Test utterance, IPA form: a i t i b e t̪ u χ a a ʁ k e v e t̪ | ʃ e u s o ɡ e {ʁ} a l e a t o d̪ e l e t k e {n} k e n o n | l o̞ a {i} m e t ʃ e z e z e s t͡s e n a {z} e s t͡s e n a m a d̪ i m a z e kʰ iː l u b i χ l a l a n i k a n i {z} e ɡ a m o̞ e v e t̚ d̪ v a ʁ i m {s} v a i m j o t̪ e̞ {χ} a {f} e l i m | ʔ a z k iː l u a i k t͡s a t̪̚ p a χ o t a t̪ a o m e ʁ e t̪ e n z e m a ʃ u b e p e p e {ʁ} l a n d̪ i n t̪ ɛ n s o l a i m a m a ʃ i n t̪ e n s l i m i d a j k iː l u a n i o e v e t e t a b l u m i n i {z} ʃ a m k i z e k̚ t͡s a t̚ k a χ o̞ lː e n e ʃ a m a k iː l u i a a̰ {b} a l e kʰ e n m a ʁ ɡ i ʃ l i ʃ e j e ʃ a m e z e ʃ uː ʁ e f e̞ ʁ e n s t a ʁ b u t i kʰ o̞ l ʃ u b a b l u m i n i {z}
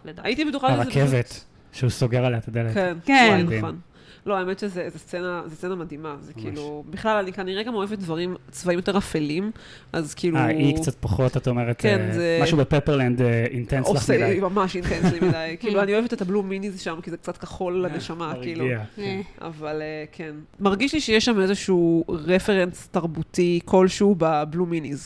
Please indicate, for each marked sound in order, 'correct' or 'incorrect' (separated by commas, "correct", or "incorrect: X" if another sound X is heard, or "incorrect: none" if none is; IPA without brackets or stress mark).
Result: correct, correct, incorrect: e, correct, incorrect: ʁ, incorrect: t͡s, incorrect: ʁ, correct, correct, correct, incorrect: v, correct